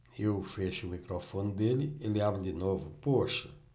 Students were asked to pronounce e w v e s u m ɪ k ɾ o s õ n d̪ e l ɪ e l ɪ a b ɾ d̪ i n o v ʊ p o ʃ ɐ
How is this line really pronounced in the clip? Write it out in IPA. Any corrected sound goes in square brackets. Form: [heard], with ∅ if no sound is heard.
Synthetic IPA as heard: e w [f] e [ʃ] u m [i] k ɾ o [f] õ n d̪ e l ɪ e l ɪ a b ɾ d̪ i n o v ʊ p o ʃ ɐ